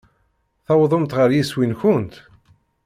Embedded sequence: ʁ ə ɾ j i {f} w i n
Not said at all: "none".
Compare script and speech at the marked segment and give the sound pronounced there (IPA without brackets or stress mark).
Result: s